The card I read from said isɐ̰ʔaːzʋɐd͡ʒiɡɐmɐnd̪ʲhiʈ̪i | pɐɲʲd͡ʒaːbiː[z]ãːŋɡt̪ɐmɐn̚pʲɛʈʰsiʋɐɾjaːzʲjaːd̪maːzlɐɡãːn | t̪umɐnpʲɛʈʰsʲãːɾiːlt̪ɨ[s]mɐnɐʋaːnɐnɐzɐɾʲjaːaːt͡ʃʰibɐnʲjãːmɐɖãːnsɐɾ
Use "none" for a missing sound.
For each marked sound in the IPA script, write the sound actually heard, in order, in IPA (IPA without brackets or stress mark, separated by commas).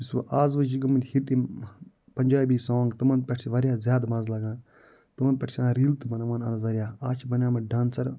s, none